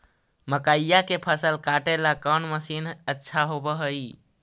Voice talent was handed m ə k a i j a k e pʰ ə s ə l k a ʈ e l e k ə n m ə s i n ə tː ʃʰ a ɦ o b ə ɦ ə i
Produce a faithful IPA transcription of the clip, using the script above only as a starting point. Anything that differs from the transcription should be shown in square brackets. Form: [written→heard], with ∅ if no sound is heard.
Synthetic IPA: m ə k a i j a k e pʰ ə s ə l k a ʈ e l [e→a] k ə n m ə s i n ə tː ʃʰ a ɦ o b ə ɦ ə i